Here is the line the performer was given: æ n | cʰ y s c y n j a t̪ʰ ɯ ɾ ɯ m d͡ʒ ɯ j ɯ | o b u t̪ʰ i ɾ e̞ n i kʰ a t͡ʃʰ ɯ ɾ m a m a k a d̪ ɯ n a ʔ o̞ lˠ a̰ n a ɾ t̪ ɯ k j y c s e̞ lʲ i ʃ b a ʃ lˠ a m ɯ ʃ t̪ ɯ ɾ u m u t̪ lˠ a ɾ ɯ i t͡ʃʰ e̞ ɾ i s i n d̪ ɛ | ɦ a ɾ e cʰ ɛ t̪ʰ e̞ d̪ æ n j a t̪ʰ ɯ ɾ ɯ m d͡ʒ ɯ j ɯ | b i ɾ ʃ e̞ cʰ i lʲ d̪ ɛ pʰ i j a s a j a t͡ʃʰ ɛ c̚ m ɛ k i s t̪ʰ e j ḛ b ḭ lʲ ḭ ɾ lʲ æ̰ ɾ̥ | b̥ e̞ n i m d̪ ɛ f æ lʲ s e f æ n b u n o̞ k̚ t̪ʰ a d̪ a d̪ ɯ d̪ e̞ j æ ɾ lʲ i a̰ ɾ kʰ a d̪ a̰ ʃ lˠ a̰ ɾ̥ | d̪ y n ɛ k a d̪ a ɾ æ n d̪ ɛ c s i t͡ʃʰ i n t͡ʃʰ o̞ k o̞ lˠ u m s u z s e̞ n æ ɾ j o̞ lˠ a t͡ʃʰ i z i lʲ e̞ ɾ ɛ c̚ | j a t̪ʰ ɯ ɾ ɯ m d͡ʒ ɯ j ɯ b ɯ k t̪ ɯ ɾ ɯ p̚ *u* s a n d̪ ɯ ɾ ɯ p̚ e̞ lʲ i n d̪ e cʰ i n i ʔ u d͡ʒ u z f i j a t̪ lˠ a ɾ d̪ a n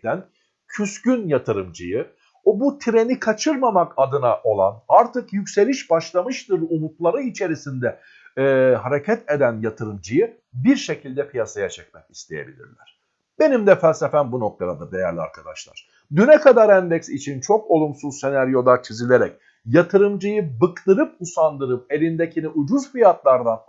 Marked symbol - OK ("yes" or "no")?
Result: yes